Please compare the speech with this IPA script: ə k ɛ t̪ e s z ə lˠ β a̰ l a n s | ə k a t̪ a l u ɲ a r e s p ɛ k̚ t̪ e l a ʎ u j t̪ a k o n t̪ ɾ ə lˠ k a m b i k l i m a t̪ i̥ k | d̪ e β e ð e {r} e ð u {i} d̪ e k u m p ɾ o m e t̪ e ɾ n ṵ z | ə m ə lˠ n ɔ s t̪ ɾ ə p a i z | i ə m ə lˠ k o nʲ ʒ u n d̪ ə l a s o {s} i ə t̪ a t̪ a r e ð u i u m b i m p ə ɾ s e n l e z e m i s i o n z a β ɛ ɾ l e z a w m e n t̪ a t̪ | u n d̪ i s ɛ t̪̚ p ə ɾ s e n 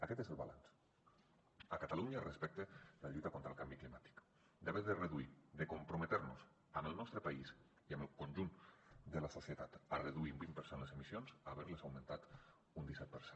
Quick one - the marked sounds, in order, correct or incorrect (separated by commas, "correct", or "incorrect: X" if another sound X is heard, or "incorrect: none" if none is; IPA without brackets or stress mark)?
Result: correct, correct, correct